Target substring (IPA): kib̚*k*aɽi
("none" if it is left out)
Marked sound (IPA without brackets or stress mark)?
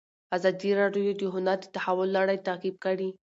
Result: k